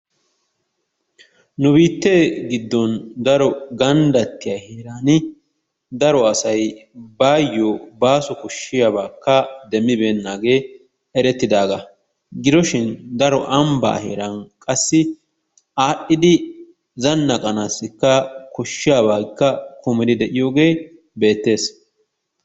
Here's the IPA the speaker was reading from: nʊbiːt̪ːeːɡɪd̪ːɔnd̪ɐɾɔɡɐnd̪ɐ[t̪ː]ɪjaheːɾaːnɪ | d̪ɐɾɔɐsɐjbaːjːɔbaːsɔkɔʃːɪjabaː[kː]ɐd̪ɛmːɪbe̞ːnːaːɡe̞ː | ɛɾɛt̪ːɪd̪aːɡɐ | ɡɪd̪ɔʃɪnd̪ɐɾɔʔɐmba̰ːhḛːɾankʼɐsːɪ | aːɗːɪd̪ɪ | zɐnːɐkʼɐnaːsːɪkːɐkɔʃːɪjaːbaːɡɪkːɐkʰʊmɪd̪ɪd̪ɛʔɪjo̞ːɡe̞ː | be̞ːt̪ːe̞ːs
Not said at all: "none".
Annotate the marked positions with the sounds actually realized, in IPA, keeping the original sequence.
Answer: t̪ː, kː

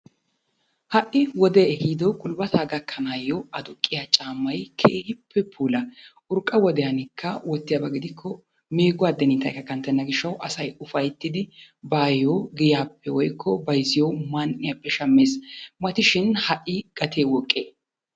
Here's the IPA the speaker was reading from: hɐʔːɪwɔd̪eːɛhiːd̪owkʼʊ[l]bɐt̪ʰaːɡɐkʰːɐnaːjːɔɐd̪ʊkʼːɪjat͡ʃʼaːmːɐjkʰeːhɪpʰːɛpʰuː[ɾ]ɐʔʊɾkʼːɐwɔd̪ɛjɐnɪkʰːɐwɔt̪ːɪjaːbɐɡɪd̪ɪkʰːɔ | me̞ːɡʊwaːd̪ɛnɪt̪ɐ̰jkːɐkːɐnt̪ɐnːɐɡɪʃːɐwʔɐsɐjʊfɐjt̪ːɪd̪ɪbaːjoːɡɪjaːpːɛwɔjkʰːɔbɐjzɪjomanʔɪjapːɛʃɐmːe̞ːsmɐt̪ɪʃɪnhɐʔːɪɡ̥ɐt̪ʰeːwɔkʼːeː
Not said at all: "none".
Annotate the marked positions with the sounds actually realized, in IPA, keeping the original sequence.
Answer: l, l

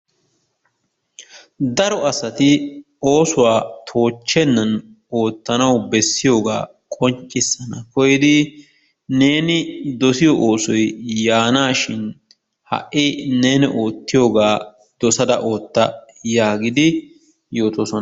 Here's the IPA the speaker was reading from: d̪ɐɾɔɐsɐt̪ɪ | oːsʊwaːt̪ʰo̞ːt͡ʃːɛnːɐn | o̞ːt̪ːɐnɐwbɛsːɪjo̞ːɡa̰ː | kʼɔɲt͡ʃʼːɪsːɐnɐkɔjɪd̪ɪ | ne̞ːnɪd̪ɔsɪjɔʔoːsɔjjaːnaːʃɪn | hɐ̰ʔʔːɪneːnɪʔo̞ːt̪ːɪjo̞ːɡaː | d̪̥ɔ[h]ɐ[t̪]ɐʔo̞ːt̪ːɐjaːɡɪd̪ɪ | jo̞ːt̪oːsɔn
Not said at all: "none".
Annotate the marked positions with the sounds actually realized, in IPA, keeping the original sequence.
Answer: s, d̪

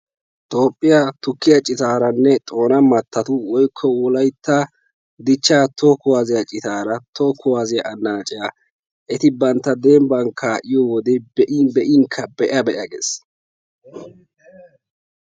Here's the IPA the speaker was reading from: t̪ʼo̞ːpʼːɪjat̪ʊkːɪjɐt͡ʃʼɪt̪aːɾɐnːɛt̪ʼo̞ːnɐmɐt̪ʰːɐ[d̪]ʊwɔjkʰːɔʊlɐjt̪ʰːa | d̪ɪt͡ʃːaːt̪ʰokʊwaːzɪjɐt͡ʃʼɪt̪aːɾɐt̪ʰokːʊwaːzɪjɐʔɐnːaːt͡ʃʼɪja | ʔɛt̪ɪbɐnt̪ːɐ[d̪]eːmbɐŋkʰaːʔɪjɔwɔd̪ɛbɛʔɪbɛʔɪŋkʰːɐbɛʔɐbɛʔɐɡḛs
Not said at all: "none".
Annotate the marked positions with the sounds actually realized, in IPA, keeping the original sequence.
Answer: t̪, d̪

